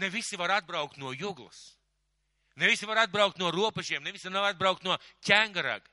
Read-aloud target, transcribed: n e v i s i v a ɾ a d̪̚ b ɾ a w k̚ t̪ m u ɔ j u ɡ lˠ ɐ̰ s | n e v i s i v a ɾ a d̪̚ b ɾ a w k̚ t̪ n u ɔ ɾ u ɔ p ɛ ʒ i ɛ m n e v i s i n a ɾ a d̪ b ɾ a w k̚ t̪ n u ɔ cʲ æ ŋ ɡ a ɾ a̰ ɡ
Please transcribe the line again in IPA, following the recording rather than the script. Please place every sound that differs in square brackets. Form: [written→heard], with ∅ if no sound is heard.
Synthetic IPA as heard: n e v i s i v a ɾ a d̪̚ b ɾ a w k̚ t̪ [m→n] u ɔ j u ɡ lˠ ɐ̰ s | n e v i s i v a ɾ a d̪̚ b ɾ a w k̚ t̪ n u ɔ ɾ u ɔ p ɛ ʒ i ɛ m n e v i s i n a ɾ a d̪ b ɾ a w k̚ t̪ n u ɔ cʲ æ ŋ ɡ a ɾ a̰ ɡ